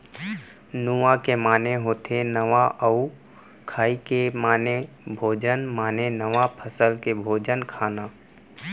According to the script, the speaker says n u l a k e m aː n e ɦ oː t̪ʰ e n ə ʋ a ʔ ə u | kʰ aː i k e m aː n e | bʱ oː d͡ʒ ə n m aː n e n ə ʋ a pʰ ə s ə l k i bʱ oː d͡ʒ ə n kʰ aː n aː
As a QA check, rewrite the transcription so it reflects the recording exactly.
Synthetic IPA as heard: n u a k e m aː n e ɦ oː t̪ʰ e n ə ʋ a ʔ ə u | kʰ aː i k e m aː n e | bʱ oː d͡ʒ ə n m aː n e n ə ʋ a pʰ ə s ə l k e bʱ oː d͡ʒ ə n kʰ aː n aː